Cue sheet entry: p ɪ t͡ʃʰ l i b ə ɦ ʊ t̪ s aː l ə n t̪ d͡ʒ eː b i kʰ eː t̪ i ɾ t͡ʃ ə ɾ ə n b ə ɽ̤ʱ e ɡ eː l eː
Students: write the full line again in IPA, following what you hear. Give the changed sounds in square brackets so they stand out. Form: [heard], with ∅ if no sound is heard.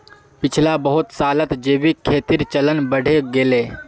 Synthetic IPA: p ɪ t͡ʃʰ l [a] b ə ɦ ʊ t̪ s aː l ə [∅] t̪ d͡ʒ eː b i kʰ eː t̪ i ɾ t͡ʃ ə [l] ə n b ə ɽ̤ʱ e ɡ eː l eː